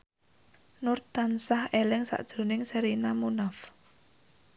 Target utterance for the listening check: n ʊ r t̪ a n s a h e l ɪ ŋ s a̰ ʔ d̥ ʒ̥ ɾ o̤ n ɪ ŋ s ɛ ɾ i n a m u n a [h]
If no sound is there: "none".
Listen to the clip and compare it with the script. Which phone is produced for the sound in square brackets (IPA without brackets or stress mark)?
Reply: f